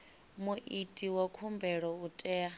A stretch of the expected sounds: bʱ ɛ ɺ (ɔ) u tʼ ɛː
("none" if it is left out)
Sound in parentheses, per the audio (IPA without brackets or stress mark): ɔ